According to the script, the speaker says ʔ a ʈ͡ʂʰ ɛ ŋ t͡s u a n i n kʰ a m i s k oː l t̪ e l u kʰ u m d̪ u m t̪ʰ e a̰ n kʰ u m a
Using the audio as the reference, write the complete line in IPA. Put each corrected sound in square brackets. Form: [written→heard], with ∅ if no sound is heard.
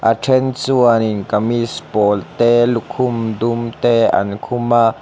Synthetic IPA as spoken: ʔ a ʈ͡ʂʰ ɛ [ŋ→n] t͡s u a n i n [kʰ→k] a m i s [k→p] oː l t̪ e l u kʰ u m d̪ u m [t̪ʰ→t̪] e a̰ n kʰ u m a